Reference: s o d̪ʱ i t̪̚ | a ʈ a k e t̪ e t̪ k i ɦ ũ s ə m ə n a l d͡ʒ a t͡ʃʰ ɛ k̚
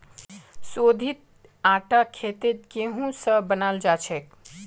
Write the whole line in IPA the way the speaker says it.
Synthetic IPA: s o d̪ʱ i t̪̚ | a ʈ a kʰ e t̪ e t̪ k e ɦ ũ s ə b ə n a l d͡ʒ a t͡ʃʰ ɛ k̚